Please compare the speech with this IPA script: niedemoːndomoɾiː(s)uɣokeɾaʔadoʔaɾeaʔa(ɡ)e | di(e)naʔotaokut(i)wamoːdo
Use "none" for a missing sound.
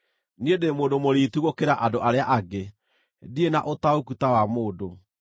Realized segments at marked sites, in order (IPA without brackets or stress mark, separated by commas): t, ɡ, e, a